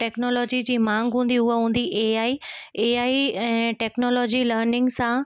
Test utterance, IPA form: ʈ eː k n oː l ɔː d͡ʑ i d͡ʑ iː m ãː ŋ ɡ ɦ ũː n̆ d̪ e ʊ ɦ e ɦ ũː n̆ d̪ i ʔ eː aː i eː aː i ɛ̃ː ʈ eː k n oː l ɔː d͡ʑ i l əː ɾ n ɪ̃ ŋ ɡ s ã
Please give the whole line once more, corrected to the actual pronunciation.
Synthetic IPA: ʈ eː k n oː l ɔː d͡ʑ i d͡ʑ iː m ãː ŋ ɡ ɦ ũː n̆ d̪ i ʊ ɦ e ɦ ũː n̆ d̪ i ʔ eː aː i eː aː i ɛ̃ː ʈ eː k n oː l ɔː d͡ʑ i l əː ɾ n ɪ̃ ŋ ɡ s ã